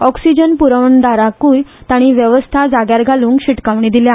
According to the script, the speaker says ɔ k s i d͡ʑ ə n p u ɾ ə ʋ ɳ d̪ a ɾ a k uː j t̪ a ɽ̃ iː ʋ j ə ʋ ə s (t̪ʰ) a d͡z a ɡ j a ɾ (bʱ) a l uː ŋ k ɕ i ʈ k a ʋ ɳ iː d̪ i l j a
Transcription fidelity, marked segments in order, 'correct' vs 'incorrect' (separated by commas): correct, incorrect